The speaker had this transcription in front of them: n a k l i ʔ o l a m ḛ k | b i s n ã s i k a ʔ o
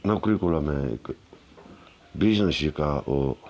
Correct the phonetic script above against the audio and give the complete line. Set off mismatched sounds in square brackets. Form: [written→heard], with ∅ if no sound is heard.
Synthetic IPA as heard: n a k [l→ɾ] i [ʔ→k] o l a m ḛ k | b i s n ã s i k a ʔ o